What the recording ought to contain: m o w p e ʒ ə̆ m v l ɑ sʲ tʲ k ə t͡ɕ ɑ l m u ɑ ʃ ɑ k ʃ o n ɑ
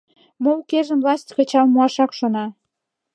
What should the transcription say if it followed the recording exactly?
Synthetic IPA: m o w k e ʒ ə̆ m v l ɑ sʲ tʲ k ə t͡ɕ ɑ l m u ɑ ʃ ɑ k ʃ o n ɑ